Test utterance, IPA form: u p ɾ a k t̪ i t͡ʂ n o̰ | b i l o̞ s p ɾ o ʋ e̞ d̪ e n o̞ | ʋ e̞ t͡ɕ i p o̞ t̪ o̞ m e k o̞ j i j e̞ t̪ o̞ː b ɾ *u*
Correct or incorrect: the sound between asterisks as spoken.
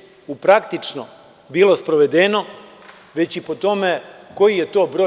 incorrect: o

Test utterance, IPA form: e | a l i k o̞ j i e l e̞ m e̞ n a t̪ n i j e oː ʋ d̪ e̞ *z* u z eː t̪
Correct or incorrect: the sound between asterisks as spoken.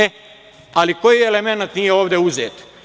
incorrect: none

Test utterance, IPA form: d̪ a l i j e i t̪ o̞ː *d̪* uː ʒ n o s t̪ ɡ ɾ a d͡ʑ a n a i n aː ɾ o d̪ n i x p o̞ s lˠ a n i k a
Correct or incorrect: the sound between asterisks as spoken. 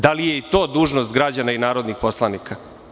correct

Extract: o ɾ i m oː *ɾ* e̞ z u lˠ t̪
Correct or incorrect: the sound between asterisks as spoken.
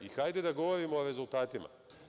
correct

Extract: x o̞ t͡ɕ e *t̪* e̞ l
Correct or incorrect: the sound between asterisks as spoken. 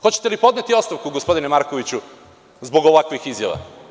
correct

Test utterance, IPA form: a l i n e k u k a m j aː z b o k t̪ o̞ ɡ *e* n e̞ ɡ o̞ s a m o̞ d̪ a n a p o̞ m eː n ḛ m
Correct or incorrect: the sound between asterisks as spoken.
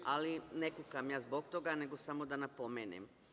incorrect: a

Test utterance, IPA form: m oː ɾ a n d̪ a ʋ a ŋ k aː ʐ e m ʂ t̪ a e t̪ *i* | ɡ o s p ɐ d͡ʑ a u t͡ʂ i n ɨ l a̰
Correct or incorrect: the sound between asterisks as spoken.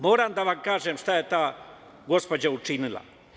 incorrect: a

